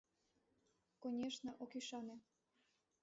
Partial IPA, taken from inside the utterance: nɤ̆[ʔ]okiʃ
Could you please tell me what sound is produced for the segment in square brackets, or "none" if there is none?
ʔ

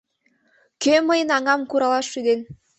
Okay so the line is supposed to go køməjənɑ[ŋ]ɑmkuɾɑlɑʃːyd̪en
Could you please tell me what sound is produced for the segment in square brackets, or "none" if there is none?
ŋ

